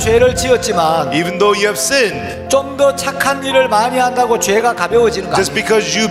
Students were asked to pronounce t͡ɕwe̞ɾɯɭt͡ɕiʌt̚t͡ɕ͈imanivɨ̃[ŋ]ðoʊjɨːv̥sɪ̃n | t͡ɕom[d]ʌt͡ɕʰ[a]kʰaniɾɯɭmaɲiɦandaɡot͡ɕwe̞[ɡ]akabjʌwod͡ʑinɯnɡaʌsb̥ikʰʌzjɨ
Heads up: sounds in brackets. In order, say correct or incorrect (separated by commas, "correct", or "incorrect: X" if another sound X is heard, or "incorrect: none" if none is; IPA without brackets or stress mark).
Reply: incorrect: n, correct, correct, correct